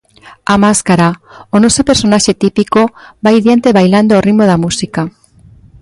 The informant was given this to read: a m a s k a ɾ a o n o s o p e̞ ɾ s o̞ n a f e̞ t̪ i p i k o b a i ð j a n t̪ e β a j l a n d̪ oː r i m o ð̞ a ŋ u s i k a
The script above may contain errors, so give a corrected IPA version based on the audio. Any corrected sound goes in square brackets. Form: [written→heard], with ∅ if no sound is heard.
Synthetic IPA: a m a s k a ɾ a o n o s o p e̞ ɾ s o̞ n a [f→ʃ] e̞ t̪ i p i k o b a [i→j] ð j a n t̪ e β a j l a n d̪ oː r i m o ð̞ a [ŋ→m] u s i k a